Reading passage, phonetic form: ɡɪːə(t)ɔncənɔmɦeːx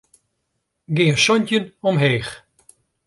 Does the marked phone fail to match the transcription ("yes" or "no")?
yes